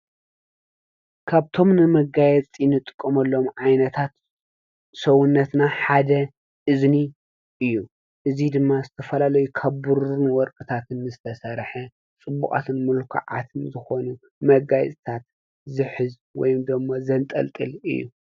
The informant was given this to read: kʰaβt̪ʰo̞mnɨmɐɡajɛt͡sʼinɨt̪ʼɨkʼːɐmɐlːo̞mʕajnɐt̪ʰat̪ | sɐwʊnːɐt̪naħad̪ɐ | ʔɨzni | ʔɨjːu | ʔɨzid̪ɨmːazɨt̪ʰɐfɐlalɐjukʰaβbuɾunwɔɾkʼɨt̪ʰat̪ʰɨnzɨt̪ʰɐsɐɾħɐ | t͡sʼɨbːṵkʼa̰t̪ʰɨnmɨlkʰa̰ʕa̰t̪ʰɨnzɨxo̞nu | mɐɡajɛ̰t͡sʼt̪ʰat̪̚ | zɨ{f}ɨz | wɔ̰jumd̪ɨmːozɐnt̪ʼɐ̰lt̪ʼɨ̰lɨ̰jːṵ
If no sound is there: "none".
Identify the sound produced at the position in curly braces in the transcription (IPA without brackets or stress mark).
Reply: ħ